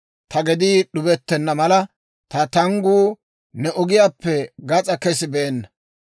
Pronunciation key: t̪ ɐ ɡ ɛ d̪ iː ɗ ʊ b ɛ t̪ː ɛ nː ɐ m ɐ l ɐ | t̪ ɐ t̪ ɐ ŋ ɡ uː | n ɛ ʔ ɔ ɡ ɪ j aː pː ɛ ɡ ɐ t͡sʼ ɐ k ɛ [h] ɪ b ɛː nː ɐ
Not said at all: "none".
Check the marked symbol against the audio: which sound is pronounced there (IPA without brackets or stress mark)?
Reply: s